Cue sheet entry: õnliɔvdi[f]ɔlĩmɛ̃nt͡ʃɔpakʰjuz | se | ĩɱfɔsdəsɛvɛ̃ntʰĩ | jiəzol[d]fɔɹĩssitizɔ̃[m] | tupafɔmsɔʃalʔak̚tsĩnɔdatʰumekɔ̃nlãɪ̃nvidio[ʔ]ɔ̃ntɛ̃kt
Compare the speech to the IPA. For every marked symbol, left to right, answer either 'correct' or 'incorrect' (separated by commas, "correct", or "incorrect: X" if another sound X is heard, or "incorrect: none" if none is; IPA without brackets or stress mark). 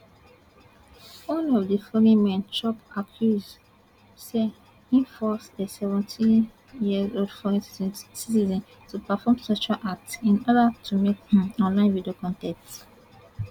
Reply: correct, correct, incorrect: n, incorrect: k